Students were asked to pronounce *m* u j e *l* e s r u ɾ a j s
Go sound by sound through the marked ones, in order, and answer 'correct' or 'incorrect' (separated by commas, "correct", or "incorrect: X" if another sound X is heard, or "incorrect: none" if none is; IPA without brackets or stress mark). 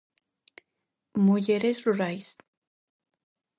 correct, incorrect: ɾ